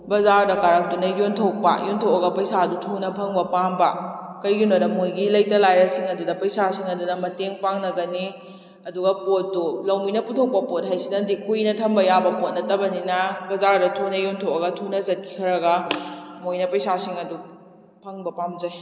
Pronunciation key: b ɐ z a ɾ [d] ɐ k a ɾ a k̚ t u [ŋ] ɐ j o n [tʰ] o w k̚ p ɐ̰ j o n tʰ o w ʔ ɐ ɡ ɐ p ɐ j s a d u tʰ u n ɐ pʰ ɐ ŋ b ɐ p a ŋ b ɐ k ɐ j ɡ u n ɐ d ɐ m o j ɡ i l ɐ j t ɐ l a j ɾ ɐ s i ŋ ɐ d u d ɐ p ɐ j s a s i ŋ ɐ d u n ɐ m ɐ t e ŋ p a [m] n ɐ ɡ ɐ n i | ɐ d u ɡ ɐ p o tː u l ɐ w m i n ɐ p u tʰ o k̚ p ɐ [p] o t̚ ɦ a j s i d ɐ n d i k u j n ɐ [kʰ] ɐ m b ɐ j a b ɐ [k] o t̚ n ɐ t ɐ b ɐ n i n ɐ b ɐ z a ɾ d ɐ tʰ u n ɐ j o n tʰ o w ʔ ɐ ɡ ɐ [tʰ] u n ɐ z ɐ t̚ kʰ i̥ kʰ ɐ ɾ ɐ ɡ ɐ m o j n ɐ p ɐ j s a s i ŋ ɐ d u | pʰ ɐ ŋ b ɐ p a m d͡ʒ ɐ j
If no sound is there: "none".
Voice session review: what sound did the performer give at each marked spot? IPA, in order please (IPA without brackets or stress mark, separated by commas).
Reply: d, n, tʰ, ŋ, p, tʰ, p, tʰ